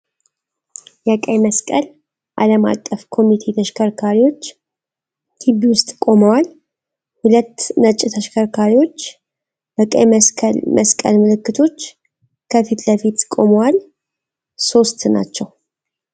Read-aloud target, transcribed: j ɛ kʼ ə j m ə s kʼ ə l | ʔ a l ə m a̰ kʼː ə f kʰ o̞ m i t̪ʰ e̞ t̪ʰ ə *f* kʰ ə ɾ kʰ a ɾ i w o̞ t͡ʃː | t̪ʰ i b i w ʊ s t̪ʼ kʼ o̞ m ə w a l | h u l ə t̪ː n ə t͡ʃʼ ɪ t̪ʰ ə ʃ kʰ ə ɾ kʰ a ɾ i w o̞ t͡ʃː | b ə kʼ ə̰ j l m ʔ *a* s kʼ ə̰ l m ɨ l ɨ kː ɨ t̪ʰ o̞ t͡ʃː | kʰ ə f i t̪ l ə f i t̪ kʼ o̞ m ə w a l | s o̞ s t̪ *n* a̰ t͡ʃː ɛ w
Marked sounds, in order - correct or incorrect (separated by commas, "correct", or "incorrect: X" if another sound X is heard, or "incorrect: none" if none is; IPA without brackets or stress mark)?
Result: incorrect: ʃ, incorrect: ə, correct